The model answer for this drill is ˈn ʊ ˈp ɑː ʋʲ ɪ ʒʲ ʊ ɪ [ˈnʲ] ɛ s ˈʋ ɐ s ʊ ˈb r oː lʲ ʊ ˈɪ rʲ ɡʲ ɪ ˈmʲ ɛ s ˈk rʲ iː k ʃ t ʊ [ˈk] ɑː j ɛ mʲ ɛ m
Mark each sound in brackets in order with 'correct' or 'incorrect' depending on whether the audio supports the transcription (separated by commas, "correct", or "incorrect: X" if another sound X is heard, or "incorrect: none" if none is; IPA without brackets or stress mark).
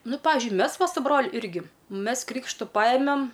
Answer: incorrect: mʲ, incorrect: p